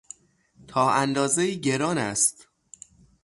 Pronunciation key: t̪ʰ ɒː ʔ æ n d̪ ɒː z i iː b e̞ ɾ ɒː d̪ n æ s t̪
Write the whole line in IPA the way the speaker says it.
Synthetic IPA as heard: t̪ʰ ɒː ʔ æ n d̪ ɒː z e iː ɟ e̞ ɾ ɒː n æ s t̪